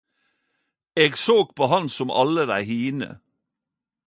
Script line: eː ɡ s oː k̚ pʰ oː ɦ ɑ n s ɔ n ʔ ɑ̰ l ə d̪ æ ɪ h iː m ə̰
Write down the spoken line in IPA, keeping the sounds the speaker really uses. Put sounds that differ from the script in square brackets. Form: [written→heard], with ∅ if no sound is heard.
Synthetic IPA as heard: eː ɡ s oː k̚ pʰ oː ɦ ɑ n s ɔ [n→m] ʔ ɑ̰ l ə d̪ æ ɪ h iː [m→n] ə̰